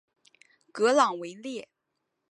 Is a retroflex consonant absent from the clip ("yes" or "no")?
yes